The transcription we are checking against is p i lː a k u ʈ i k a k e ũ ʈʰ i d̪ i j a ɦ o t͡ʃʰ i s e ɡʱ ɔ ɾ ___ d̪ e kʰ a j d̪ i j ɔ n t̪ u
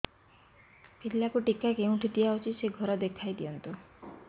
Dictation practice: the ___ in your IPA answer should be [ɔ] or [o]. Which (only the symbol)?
ɔ